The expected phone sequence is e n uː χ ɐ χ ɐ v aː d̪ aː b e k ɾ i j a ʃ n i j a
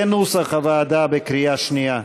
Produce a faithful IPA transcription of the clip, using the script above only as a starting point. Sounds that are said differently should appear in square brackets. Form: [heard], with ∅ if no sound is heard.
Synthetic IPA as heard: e n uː [s] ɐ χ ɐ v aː d̪ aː b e k ɾ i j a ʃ n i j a